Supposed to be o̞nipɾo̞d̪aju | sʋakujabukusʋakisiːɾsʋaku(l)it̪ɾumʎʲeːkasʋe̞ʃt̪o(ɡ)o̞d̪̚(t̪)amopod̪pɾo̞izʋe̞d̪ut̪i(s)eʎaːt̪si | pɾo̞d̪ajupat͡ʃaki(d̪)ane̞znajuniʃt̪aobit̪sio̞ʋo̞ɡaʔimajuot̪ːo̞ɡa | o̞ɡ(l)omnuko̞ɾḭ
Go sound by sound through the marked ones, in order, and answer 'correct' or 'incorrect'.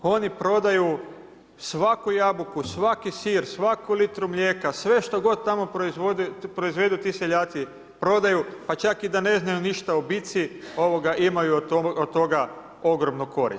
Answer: correct, correct, correct, correct, correct, incorrect: ɾ

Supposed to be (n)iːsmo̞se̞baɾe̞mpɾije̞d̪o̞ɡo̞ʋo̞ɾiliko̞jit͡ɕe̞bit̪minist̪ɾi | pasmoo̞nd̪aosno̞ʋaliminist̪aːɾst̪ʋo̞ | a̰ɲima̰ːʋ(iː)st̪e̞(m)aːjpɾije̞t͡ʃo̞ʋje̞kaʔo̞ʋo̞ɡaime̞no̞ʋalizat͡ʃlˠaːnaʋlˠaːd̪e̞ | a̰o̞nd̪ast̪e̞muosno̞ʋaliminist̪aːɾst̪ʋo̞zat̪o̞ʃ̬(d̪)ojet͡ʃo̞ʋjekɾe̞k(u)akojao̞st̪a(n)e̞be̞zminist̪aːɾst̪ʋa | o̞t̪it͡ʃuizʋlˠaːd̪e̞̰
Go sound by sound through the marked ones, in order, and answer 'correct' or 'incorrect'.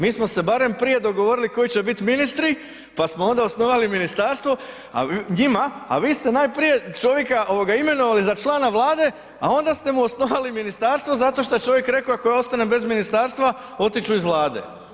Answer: incorrect: m, correct, incorrect: n, incorrect: t̪, incorrect: o, correct

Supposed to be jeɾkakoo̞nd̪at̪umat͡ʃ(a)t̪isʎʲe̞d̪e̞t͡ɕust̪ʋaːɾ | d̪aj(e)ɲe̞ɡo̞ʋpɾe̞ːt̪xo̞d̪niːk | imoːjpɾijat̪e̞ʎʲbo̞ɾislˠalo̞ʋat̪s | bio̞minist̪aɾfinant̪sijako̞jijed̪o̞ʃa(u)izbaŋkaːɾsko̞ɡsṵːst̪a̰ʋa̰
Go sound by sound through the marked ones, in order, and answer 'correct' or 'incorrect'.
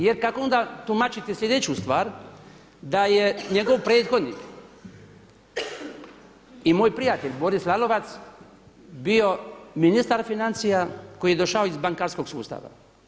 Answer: incorrect: i, correct, incorrect: o

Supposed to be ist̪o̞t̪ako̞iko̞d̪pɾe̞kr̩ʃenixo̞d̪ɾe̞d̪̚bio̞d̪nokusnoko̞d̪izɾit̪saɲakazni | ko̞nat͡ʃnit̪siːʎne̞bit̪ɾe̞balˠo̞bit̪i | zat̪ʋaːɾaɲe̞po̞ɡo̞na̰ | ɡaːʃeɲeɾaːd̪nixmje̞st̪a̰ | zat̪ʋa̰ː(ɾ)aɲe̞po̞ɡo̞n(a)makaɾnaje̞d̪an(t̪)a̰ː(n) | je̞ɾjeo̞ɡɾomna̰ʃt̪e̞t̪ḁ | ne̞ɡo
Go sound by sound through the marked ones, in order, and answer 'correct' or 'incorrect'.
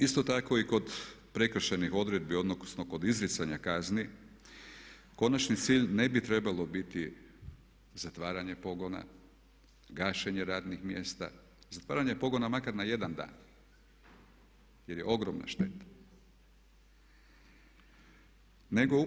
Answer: correct, correct, incorrect: d̪, correct

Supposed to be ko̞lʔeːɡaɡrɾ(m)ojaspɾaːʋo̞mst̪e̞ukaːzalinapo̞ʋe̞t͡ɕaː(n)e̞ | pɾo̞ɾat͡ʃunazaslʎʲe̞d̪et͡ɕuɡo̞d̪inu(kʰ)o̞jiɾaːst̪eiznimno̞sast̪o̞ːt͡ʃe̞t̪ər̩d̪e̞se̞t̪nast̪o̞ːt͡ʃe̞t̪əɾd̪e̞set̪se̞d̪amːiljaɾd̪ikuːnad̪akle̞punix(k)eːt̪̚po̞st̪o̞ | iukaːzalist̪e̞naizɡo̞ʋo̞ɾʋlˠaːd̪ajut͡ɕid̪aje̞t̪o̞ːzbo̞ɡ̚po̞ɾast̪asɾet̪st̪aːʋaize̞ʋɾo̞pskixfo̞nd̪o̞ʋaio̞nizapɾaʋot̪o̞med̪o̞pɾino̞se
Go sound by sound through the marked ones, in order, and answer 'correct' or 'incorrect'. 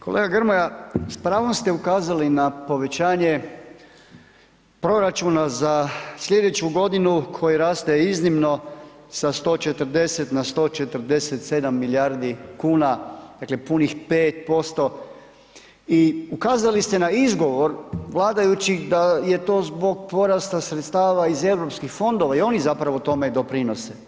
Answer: correct, incorrect: ɲ, correct, incorrect: p

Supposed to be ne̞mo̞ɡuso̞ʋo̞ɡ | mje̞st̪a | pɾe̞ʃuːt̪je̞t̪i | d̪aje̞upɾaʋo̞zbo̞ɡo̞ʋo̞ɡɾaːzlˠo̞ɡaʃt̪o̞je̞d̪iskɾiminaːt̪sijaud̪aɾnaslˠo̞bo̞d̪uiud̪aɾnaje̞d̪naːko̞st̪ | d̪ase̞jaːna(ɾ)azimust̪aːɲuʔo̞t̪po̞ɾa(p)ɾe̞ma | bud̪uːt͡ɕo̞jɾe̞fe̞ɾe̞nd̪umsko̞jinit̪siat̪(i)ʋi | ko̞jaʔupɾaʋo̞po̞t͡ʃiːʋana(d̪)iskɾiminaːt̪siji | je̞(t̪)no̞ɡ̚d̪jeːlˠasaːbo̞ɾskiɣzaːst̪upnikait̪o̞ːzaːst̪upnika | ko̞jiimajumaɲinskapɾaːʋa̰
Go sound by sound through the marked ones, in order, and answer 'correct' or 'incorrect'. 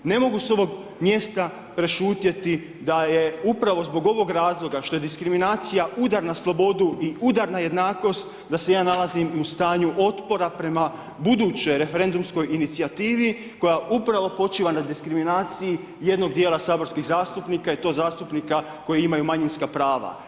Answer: incorrect: l, correct, incorrect: iː, correct, incorrect: d̪

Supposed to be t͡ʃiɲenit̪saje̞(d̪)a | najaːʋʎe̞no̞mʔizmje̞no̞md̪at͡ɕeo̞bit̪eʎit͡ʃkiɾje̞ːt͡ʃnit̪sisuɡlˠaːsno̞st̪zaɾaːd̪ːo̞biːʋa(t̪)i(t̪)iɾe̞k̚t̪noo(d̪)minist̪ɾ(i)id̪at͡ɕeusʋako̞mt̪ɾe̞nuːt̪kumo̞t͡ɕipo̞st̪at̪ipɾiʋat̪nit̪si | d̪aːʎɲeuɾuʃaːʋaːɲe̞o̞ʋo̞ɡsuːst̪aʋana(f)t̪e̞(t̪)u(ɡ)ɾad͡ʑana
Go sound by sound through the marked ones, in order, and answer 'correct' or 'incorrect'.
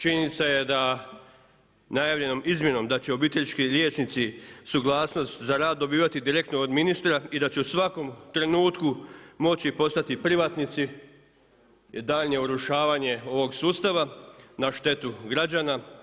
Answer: correct, correct, incorrect: d̪, correct, incorrect: a, incorrect: ʃ, correct, correct

